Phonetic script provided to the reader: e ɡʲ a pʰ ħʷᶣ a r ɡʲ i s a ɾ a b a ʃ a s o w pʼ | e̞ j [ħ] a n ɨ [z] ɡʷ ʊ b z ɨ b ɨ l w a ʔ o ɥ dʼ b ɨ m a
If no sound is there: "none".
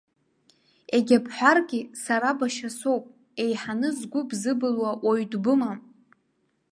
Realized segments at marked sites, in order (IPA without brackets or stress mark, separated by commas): ħ, z